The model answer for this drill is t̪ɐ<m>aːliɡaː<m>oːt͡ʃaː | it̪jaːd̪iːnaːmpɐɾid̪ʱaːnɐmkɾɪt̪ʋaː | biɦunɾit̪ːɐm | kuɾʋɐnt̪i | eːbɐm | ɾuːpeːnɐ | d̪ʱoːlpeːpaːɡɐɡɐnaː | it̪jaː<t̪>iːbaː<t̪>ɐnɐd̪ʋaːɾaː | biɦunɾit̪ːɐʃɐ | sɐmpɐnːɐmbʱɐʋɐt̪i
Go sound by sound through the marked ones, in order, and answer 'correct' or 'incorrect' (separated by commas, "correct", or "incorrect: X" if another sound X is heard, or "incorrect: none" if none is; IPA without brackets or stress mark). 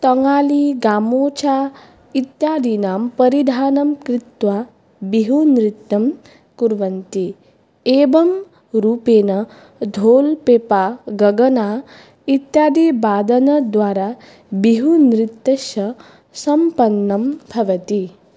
incorrect: ŋ, correct, incorrect: d̪, incorrect: d̪